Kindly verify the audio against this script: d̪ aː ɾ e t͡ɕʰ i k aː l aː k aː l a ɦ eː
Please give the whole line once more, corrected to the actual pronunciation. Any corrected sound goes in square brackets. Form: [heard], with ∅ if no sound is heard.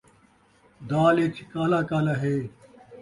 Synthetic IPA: d̪ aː [l] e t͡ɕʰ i k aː l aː k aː l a ɦ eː